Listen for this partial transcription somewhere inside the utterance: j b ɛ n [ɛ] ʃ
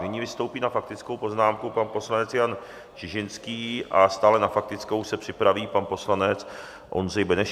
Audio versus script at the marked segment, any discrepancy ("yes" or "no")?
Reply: no